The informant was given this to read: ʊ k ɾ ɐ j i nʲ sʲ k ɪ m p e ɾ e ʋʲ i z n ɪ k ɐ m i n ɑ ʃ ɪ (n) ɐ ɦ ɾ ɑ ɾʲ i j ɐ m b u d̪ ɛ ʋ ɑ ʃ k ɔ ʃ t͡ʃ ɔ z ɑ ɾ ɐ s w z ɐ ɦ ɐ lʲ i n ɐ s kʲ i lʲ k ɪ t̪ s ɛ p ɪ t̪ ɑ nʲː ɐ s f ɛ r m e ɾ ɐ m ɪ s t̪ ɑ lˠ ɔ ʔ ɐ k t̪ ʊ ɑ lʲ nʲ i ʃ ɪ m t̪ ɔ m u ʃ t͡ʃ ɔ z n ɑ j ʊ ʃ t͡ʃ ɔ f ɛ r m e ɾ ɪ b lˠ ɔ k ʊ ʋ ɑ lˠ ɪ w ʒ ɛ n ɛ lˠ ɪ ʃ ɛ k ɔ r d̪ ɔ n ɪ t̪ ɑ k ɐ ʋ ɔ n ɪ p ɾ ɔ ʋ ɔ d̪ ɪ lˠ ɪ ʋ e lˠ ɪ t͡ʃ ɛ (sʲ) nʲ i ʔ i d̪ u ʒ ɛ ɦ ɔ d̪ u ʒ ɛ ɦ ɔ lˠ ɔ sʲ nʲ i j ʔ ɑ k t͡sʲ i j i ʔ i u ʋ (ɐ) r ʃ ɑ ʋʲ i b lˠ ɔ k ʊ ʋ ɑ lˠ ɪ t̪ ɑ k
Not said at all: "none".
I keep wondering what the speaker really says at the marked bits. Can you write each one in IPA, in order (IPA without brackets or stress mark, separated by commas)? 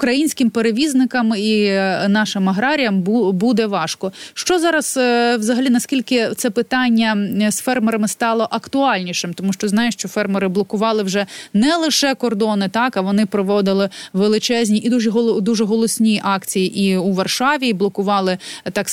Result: m, zʲ, ɐ